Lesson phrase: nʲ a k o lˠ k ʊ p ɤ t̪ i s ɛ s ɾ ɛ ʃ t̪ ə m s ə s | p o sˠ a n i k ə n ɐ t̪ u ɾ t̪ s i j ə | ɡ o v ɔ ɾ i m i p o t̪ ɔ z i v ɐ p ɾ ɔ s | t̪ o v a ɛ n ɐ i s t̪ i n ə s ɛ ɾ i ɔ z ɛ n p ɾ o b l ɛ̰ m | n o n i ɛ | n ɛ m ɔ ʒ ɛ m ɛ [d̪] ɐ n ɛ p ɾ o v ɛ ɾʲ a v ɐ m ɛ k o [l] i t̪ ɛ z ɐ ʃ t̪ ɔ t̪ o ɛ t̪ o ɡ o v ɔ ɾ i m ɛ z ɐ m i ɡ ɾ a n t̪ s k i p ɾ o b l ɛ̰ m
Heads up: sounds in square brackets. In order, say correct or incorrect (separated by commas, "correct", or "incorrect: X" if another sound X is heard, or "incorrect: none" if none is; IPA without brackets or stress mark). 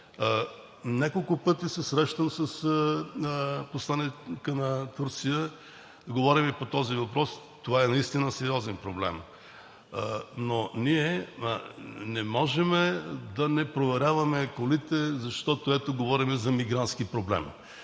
correct, correct